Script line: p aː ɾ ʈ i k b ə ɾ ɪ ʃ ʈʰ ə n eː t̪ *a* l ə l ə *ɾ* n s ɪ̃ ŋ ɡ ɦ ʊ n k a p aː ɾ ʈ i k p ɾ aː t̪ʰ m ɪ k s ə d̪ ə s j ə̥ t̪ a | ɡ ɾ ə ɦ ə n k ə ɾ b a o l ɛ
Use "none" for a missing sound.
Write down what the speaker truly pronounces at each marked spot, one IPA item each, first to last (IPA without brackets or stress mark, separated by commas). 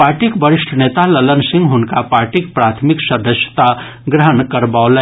a, none